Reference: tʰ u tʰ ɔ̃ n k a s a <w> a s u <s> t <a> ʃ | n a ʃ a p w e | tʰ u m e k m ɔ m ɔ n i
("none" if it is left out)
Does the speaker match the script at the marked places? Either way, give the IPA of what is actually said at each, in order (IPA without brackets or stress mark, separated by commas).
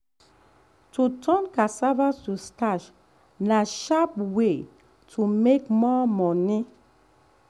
v, s, a